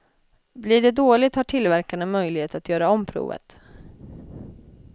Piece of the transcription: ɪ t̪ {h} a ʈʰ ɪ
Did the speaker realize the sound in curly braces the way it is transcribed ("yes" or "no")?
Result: yes